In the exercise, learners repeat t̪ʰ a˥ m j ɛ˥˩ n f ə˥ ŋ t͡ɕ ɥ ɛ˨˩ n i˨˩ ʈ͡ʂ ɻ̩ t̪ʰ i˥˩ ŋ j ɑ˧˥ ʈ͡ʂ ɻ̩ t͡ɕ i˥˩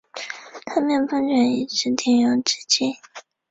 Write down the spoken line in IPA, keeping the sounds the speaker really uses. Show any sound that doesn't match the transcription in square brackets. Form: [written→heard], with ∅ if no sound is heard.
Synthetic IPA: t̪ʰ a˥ m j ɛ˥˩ n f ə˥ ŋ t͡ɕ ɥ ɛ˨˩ n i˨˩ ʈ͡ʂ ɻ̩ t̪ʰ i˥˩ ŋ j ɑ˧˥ ʈ͡ʂ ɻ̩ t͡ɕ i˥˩